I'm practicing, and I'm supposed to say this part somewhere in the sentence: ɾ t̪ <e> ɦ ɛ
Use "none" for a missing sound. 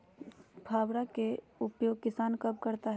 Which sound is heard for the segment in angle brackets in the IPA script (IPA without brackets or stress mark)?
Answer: a